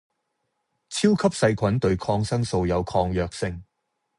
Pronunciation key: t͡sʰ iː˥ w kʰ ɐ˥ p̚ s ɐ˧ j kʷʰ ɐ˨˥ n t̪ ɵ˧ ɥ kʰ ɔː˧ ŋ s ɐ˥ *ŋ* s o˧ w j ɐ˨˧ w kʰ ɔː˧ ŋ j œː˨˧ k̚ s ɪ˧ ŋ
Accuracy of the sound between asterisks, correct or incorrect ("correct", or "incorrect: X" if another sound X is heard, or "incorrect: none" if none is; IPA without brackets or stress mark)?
correct